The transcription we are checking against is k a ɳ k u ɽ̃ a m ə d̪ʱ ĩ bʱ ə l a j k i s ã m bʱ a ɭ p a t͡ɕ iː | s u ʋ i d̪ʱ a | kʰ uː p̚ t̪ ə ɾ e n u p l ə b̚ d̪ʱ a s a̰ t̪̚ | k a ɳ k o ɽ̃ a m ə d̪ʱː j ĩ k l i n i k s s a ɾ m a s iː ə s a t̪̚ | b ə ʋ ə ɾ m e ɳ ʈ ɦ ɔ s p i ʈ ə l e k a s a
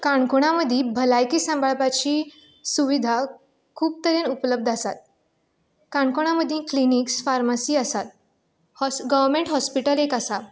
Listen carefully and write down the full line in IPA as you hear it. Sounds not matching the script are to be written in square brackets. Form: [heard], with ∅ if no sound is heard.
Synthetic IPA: k a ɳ k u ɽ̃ a m ə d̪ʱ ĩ bʱ ə l a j k i s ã m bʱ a ɭ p a t͡ɕ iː | s u ʋ i d̪ʱ a | kʰ uː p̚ t̪ ə ɾ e n u p l ə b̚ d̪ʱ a s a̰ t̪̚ | k a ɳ k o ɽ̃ a m ə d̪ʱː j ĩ k l i n i k s [f] a ɾ m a s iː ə s a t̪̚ | [ɡ] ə ʋ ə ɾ m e ɳ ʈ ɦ ɔ s p i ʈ ə l e k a s a

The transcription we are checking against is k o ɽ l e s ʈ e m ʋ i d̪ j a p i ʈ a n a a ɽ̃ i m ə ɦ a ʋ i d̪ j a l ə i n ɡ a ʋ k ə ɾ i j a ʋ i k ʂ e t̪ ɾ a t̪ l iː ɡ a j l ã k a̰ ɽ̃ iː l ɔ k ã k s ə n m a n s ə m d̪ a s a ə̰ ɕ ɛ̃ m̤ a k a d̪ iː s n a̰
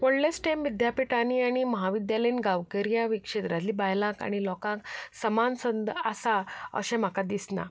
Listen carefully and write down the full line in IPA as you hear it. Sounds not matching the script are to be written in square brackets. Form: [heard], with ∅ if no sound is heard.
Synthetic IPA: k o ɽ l e s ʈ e m ʋ i d̪ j a p i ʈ a n [i] a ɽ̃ i m ə ɦ a ʋ i d̪ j a l ə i n ɡ a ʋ k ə ɾ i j a ʋ i k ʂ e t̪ ɾ a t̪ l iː [b] a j l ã k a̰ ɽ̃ [i] l ɔ k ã k s ə [∅] m a n s ə [n] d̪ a s a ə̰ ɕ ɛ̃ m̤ a k a d̪ [i] s n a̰

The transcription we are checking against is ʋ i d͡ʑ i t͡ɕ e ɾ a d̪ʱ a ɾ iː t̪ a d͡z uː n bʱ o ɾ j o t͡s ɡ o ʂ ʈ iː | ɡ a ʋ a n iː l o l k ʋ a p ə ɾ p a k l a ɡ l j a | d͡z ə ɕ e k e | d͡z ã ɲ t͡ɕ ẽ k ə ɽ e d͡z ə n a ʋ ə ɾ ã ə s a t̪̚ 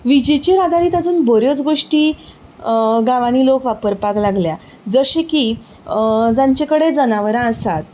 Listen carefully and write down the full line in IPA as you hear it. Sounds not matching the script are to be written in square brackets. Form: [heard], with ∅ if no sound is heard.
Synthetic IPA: ʋ i d͡ʑ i t͡ɕ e ɾ a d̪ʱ a ɾ iː t̪ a d͡z uː n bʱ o ɾ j o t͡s ɡ o ʂ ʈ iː | ɡ a ʋ a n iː l o [∅] k ʋ a p ə ɾ p a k l a ɡ l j a | d͡z ə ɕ e k [i] | d͡z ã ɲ t͡ɕ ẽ k ə ɽ e d͡z ə n a ʋ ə ɾ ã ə s a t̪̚

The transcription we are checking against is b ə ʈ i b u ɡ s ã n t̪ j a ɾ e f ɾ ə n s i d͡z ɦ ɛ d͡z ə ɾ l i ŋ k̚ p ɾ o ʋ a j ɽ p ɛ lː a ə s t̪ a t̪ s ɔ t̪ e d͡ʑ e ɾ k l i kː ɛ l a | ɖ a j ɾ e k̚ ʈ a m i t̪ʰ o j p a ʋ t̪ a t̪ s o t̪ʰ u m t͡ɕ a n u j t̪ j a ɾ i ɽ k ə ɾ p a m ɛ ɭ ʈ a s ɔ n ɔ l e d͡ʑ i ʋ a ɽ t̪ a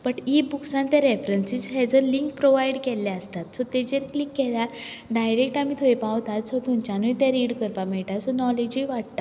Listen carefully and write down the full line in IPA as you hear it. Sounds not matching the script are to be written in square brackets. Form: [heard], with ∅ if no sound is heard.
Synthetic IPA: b ə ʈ i b u [k] s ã n t̪ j a ɾ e f ɾ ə n s i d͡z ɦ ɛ d͡z ə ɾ l i ŋ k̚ p ɾ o ʋ a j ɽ [k] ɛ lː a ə s t̪ a t̪ s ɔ t̪ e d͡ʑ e ɾ k l i kː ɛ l a | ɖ a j ɾ e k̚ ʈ a m i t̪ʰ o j p a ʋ t̪ a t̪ s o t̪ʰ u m t͡ɕ a n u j t̪ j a ɾ i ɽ k ə ɾ p a m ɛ ɭ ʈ a s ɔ n ɔ l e d͡ʑ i ʋ a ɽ t̪ a

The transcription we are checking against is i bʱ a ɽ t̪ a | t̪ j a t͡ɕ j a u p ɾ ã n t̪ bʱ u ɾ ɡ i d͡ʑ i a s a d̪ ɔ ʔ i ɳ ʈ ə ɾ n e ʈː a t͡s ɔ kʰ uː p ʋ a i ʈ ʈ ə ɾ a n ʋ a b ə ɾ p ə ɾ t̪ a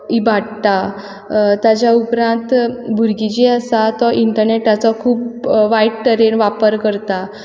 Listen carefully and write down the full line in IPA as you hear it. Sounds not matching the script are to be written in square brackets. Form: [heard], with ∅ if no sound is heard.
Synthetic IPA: i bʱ a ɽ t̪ a | t̪ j a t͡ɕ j a u p ɾ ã n t̪ bʱ u ɾ ɡ i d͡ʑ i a s a [t̪] ɔ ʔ i ɳ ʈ ə ɾ n e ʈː a t͡s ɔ kʰ uː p ʋ a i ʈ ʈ ə ɾ [e] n ʋ a [p] ə ɾ [k] ə ɾ t̪ a

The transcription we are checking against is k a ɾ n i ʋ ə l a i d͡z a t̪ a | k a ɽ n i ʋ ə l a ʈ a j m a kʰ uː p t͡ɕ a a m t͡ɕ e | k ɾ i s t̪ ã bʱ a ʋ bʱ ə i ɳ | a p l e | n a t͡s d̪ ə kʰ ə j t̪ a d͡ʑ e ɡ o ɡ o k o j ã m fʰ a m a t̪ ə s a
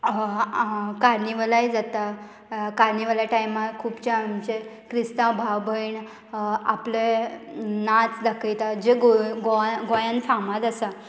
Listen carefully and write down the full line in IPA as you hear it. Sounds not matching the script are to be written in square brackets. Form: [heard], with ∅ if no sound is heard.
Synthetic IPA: k a ɾ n i ʋ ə l a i d͡z a t̪ a | k a [ɾ] n i ʋ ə l a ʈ a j m a kʰ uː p t͡ɕ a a m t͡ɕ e | k ɾ i s t̪ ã bʱ a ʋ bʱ ə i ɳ | a p l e | n a t͡s d̪ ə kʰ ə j t̪ a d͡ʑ e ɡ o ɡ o [ɡ] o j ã [n] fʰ a m a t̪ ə s a

